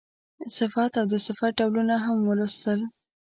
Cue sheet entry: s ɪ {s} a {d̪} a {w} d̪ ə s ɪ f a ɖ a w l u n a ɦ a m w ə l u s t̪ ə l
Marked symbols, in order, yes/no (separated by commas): no, no, yes